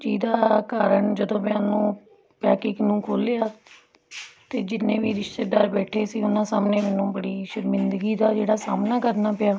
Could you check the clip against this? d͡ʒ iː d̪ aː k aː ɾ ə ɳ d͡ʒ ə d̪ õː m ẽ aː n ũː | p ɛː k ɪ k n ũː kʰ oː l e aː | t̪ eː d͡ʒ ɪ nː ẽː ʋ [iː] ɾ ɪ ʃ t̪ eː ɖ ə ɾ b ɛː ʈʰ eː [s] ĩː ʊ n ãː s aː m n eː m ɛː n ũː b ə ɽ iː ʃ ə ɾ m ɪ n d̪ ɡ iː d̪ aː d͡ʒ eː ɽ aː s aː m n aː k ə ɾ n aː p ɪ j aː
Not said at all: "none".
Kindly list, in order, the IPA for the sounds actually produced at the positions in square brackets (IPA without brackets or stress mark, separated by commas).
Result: iː, s